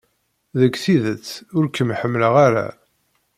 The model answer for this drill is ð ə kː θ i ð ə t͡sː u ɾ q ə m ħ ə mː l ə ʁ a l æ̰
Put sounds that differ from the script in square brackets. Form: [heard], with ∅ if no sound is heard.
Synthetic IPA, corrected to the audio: ð ə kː θ i ð ə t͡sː [ʊ] ɾ [k] ə m ħ ə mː l ə ʁ a [ɾ] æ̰